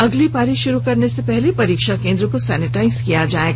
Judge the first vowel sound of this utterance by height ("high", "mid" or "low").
low